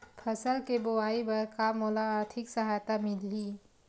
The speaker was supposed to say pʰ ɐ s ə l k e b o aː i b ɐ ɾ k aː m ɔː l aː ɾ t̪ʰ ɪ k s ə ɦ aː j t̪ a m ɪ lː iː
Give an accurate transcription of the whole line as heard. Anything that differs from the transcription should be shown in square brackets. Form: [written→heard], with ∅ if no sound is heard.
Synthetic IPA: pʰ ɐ s ə l k e b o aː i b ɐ ɾ k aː m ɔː l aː ɾ t̪ʰ ɪ k s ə ɦ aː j t̪ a m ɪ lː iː